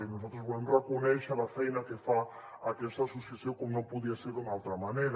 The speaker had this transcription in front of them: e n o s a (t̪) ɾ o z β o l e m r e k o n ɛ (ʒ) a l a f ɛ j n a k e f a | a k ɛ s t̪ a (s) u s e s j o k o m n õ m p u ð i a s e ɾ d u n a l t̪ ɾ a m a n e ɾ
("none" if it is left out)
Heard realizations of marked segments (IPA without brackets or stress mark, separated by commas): t̪, ʃ, s